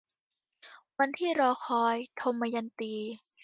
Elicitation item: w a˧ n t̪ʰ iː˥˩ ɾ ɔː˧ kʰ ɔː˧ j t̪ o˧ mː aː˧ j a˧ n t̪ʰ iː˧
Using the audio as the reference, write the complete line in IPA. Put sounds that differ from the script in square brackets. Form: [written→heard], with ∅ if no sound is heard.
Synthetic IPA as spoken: w a˧ n t̪ʰ iː˥˩ ɾ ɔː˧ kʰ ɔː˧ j [t̪→t̪ʰ] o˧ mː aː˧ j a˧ n [t̪ʰ→t̪] iː˧